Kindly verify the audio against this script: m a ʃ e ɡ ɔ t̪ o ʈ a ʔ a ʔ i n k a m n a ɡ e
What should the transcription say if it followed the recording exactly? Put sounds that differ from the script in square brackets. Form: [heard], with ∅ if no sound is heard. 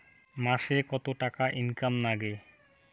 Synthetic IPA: m a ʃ e [k] ɔ t̪ o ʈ a [k] a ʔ i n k a m n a ɡ e